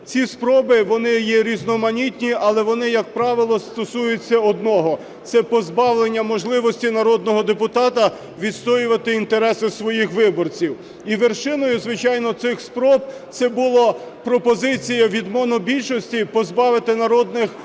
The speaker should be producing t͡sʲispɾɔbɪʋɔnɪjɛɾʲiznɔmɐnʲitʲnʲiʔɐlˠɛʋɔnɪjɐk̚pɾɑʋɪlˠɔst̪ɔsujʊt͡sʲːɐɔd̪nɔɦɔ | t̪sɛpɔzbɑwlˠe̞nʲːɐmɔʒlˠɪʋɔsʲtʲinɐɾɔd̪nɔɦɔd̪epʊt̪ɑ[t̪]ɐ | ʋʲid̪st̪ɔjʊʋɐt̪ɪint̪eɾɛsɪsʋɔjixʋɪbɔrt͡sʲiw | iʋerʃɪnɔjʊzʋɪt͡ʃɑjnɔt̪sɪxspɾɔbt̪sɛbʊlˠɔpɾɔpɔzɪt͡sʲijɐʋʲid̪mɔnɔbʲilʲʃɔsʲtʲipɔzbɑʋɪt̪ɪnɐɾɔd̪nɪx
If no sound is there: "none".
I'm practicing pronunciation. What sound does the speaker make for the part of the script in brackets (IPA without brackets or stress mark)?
t̪